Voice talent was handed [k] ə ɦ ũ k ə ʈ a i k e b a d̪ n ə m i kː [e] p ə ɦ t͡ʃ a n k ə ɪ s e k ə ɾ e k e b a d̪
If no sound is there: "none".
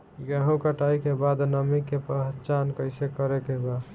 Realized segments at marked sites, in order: ɡ, e

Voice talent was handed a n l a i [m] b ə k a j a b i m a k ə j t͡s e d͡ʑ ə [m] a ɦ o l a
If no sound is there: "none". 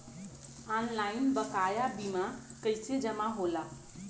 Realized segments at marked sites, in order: n, m

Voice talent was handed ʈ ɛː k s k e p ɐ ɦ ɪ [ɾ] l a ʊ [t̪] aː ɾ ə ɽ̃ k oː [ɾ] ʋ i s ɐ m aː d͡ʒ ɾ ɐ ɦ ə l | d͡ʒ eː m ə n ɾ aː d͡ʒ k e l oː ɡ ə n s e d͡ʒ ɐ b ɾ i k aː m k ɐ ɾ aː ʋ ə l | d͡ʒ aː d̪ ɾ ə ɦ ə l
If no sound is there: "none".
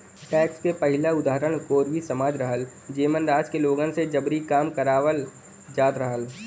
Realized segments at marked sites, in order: none, d̪, ɾ

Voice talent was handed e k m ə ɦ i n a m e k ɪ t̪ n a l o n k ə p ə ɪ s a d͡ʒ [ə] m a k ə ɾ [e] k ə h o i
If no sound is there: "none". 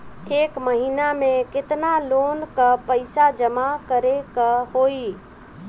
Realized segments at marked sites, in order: ə, e

